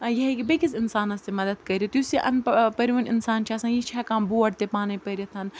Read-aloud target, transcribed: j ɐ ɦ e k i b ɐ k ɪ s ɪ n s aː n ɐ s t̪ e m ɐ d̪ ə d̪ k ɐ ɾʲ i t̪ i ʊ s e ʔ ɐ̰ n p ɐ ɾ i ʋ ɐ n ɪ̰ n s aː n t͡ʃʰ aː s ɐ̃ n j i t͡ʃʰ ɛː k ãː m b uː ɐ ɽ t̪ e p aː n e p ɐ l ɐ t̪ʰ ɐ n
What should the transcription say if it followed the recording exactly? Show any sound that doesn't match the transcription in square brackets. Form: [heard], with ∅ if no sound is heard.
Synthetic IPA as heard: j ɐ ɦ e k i b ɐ k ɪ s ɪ n s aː n ɐ s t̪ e m ɐ d̪ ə d̪ k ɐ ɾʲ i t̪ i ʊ s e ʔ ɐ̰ n p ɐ ɾ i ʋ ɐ n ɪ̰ n s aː n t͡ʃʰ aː s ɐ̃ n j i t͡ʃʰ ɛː k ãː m b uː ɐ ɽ t̪ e p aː n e p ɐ [ɾ] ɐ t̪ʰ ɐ n

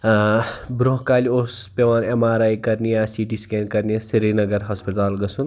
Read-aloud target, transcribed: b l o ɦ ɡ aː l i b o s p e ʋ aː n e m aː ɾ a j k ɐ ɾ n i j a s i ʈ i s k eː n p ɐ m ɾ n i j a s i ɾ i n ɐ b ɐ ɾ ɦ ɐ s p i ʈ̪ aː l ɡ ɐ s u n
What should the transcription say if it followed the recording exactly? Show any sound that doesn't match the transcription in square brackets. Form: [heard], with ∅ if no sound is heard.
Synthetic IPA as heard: b [ɾ] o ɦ [k] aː l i [∅] o s p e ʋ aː n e m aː ɾ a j k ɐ ɾ n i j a s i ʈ i s k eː n [k] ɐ [∅] ɾ n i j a s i ɾ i n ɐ [ɡ] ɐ ɾ ɦ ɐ s p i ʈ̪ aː l ɡ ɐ s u n

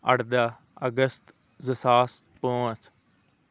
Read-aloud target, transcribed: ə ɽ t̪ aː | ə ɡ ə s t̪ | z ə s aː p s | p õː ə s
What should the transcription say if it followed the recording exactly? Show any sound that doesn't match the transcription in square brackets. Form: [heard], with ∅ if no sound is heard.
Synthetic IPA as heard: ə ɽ [d̪] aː | ə ɡ ə s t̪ | z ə s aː [∅] s | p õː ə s

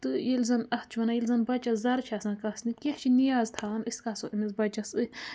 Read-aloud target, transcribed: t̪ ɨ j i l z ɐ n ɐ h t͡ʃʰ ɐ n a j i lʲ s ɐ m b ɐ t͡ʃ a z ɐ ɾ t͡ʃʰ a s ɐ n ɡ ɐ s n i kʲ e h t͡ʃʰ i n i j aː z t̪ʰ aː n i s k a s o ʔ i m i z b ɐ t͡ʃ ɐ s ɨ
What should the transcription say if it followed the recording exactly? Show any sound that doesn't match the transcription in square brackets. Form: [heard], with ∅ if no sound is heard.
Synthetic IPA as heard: t̪ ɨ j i l z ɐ n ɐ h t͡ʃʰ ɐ n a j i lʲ [z] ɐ [n] b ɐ t͡ʃ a z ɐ ɾ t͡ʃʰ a s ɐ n [k] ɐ s n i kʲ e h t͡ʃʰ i n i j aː z t̪ʰ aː n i s k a s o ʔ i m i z b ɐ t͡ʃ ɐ s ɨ

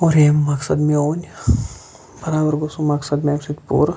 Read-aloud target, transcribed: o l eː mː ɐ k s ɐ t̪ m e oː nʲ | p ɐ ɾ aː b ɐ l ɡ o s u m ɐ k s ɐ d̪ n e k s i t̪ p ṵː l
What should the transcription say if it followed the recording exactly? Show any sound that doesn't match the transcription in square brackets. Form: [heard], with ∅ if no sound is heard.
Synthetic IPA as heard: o [ɾ] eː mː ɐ k s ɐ [d̪] m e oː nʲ | [b] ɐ ɾ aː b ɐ [ɾ] ɡ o s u m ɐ k s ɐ d̪ [m] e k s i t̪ p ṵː [ɾ]

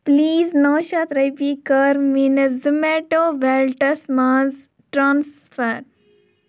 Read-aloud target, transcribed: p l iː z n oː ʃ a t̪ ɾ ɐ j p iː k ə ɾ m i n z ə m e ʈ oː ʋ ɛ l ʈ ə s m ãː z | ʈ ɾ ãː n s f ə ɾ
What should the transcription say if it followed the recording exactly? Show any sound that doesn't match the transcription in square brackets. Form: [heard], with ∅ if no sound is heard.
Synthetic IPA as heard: p l iː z n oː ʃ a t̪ ɾ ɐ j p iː k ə ɾ m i n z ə m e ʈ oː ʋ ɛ l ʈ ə s m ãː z | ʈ ɾ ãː n s f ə ɾ

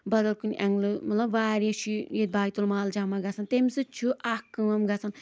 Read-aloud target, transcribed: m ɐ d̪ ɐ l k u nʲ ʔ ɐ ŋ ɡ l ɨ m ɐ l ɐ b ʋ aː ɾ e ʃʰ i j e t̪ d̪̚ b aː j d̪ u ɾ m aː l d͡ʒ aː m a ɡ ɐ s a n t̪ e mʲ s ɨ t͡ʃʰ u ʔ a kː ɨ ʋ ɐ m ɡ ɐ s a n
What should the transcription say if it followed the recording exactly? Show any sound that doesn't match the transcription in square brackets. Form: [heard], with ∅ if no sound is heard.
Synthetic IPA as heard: [b] ɐ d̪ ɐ l k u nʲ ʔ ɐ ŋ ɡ l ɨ m ɐ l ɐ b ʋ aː ɾ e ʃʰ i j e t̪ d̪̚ b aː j [t̪] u [l] m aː l d͡ʒ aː m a ɡ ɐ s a n t̪ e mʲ s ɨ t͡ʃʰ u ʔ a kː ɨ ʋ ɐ m ɡ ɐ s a n

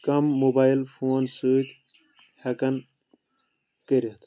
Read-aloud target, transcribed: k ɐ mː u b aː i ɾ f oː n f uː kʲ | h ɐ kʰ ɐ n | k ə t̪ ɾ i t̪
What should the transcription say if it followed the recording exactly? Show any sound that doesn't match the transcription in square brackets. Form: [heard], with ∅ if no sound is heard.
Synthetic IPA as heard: k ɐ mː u b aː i [l] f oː n [s] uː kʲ | h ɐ [k] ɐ n | k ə [∅] ɾ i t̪

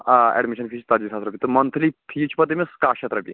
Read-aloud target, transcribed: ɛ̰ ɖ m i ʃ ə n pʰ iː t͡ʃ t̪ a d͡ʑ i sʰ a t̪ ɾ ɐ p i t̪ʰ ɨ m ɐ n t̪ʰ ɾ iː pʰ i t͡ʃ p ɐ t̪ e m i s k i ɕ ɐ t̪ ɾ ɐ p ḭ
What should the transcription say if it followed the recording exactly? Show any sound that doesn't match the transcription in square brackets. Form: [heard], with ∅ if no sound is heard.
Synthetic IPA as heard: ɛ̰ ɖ m i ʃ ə n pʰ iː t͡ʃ t̪ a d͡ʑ i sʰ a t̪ ɾ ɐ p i [t̪] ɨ m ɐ n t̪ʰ [l] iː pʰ i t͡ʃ p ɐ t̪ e m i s k [a] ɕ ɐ t̪ ɾ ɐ p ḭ

